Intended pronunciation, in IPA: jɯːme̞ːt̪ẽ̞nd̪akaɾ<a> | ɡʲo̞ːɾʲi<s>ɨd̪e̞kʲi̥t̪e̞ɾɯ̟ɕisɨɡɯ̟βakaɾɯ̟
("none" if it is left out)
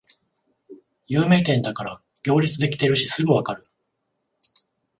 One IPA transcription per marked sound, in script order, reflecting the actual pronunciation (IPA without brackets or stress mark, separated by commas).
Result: a, t͡s